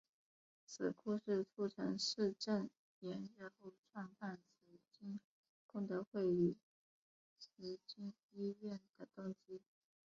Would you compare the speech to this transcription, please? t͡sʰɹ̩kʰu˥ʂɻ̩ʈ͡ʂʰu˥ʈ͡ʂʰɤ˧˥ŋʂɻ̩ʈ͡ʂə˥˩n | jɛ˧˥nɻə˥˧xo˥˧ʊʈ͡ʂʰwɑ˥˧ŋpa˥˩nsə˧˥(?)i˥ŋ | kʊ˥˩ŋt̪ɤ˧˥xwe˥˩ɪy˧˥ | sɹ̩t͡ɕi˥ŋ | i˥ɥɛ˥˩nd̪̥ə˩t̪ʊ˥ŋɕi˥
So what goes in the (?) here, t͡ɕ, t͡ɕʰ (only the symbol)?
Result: t͡ɕ